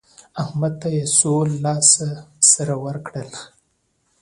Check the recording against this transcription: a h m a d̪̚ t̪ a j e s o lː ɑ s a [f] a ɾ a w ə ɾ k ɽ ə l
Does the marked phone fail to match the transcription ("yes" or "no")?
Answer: yes